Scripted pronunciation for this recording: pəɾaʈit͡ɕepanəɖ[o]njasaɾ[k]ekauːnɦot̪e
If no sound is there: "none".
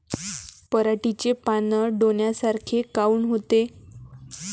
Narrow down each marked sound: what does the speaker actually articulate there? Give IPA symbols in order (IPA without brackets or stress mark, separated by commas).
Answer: o, kʰ